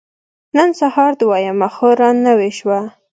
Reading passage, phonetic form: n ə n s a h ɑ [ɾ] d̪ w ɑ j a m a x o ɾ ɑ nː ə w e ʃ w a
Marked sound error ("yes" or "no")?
no